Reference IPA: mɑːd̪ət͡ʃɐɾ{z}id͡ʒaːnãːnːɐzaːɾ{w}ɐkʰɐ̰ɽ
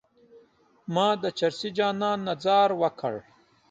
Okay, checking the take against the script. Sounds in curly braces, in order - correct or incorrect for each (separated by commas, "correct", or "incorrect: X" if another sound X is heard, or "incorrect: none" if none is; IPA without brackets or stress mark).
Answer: incorrect: s, correct